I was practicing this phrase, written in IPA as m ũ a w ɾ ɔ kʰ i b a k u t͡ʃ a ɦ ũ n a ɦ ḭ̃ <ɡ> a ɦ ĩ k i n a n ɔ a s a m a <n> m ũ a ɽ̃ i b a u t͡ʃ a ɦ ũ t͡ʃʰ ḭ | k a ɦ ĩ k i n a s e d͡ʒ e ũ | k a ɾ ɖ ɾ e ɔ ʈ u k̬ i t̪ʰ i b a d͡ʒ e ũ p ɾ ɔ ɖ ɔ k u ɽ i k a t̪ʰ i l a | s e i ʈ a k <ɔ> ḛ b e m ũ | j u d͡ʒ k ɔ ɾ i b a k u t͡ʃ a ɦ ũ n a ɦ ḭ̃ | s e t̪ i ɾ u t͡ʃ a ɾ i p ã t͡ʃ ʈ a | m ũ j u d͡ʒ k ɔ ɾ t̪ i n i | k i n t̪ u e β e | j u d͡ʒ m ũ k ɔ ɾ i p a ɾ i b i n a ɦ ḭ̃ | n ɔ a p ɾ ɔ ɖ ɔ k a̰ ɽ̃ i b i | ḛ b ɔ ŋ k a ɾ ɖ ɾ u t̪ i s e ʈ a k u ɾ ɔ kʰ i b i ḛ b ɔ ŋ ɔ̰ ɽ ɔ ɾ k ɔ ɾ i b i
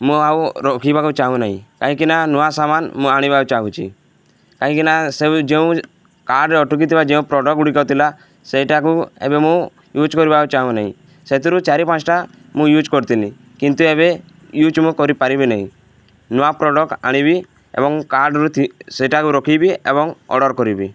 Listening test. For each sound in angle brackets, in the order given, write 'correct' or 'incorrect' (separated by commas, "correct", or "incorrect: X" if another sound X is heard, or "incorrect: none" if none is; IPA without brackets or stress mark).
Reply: incorrect: k, correct, incorrect: u